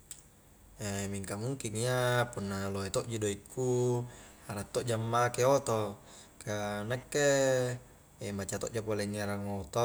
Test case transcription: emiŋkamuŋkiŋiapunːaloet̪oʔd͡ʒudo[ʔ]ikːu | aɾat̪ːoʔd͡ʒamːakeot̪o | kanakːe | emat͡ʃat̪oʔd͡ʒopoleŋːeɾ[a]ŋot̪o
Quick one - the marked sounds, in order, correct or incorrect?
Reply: incorrect: none, correct

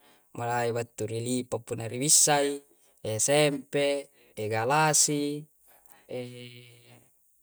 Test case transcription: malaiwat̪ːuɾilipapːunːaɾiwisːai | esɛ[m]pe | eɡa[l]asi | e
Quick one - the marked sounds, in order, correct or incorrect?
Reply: correct, correct

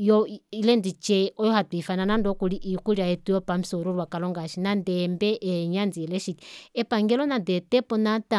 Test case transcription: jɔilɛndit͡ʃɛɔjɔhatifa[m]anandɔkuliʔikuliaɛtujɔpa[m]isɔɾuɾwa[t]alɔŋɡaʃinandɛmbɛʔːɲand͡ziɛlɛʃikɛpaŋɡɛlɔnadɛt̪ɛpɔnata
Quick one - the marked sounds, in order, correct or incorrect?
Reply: incorrect: n, correct, incorrect: k

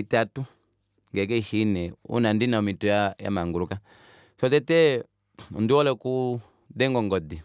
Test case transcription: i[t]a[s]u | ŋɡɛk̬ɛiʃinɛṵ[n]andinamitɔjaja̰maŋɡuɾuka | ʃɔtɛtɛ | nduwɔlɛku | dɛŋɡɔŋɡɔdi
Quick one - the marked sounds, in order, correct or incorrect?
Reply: correct, incorrect: t, correct

